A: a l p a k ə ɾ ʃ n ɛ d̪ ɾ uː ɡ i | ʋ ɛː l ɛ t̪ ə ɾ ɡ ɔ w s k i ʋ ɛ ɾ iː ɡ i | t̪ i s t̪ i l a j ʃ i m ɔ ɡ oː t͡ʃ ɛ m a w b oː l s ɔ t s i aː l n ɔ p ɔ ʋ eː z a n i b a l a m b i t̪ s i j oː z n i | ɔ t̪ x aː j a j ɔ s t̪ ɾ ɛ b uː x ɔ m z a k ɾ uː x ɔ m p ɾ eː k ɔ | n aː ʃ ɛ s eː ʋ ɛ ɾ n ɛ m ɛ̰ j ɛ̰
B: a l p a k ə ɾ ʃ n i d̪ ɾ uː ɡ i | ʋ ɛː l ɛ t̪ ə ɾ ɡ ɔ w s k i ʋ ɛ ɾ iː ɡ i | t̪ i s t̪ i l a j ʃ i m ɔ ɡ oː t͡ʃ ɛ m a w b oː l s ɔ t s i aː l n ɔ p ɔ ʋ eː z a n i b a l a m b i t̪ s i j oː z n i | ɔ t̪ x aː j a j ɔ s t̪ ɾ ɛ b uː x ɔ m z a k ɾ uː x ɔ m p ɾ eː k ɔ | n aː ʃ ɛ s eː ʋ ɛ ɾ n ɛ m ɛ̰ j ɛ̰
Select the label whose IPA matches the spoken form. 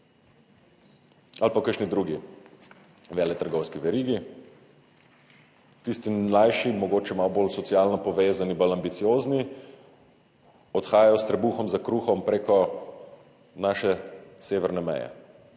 B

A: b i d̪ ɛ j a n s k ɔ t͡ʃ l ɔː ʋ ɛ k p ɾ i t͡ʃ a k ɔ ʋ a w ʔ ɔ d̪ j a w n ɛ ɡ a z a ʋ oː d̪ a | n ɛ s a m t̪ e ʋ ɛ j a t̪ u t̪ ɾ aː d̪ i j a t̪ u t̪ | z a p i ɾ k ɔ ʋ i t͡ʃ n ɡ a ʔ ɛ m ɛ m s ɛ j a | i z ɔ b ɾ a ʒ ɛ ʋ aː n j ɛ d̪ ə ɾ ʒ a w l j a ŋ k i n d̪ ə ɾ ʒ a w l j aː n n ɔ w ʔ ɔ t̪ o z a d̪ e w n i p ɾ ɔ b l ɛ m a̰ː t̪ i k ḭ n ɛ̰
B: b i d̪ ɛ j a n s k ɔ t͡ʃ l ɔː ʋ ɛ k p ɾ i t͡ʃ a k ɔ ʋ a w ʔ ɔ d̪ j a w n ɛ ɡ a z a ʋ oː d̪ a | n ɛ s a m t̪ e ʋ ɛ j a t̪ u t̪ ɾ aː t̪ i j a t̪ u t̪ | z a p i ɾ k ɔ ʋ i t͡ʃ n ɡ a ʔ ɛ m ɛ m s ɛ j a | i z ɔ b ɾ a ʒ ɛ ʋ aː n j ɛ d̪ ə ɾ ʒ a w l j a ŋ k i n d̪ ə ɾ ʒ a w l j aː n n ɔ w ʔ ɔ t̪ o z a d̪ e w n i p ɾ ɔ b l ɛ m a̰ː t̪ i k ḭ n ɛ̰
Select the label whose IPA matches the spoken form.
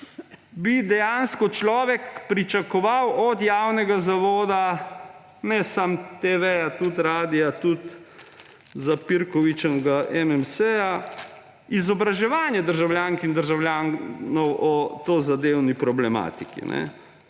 A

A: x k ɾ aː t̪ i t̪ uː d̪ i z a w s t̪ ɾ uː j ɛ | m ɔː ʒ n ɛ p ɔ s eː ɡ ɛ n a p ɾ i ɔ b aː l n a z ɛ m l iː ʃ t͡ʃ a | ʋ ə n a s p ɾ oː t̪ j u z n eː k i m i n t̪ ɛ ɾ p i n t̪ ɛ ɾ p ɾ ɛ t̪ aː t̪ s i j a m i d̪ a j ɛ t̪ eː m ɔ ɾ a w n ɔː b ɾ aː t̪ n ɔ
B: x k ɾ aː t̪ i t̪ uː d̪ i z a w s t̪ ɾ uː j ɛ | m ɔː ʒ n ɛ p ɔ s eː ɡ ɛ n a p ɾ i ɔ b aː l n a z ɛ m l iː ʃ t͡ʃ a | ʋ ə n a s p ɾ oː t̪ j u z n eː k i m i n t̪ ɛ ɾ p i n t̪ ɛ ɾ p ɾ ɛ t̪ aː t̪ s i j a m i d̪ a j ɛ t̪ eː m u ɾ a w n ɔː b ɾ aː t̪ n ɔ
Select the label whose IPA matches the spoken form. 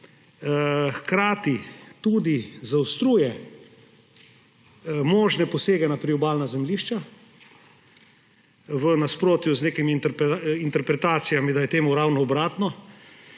B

